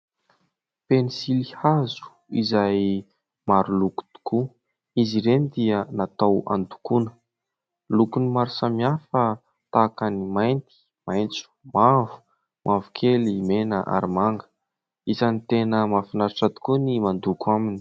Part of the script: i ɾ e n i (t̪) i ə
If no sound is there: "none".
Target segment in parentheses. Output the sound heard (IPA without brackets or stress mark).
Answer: d̪